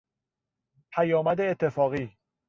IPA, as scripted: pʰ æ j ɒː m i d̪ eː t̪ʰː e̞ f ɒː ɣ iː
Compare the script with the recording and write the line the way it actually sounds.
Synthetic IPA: pʰ æ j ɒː m æ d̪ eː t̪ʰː e̞ f ɒː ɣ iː